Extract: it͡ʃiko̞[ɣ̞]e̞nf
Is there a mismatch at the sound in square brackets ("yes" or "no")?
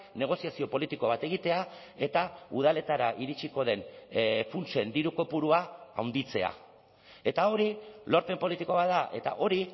yes